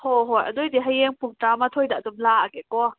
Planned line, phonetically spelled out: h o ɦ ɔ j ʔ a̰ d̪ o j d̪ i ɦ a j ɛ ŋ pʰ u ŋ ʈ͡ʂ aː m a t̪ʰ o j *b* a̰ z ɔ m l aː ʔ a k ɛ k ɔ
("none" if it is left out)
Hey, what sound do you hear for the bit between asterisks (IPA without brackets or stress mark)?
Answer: d